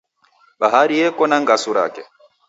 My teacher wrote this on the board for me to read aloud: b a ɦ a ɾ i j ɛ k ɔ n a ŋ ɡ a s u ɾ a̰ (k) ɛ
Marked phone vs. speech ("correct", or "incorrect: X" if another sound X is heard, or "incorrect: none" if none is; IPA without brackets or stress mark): correct